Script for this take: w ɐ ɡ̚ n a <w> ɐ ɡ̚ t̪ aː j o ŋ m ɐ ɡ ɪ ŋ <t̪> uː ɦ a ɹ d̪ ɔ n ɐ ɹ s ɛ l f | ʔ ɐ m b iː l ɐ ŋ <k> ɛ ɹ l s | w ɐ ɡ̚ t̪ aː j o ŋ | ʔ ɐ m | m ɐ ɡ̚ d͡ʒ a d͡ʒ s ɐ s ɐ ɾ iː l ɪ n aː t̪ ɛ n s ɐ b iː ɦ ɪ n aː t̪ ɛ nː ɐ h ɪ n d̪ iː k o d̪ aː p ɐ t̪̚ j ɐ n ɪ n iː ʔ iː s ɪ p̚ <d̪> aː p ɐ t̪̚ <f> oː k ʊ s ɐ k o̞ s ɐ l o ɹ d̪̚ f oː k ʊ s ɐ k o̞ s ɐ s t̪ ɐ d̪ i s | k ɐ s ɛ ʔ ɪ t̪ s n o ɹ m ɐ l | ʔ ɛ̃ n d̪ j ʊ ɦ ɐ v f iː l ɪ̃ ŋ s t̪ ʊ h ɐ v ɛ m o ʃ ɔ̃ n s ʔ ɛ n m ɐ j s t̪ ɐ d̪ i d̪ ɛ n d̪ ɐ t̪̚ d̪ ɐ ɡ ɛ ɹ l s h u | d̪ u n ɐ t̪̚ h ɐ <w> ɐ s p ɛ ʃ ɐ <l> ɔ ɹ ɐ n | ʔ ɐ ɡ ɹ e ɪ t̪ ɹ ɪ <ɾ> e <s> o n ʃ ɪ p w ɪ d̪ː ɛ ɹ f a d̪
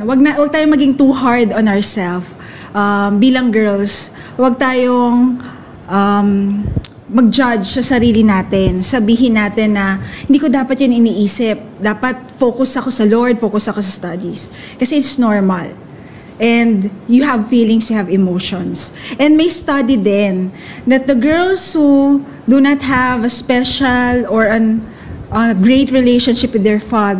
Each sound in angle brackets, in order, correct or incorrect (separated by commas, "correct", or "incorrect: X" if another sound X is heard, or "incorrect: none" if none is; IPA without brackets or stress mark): correct, correct, incorrect: ɡ, correct, correct, incorrect: v, correct, incorrect: l, incorrect: ʃ